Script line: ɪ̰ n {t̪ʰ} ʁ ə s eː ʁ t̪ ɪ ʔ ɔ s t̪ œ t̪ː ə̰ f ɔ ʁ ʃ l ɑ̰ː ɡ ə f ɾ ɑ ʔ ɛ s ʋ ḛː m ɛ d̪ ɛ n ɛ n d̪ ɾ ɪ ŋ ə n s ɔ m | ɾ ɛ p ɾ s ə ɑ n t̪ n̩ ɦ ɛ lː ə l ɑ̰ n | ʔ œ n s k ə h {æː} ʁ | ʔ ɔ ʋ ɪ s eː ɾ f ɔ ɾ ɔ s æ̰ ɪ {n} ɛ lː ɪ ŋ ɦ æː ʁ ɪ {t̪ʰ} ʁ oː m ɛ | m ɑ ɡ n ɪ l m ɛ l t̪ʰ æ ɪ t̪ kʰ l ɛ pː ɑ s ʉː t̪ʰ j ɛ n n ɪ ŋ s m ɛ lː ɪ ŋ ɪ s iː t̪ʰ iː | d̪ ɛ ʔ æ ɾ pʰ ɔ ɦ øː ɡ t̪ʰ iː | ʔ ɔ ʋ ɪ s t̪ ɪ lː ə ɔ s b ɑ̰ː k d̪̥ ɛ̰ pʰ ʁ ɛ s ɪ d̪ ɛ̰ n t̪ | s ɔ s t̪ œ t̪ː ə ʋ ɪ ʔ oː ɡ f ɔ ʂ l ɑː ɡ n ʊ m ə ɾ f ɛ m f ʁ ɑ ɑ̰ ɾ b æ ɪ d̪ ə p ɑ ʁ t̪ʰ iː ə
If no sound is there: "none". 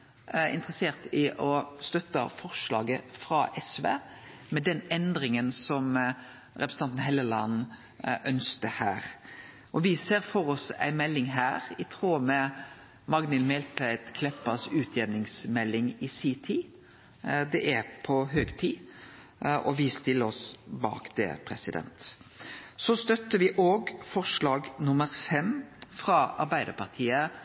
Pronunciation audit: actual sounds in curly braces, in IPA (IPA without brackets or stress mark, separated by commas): t̪, æː, m, t̪ʰ